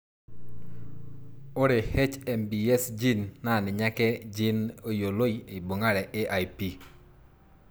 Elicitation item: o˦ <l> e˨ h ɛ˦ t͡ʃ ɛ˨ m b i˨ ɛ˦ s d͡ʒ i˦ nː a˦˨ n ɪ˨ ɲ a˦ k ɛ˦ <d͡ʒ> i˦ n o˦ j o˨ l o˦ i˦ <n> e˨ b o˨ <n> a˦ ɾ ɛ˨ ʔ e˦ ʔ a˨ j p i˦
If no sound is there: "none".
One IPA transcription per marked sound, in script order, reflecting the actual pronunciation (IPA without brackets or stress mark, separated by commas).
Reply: ɾ, d͡ʒ, none, ŋ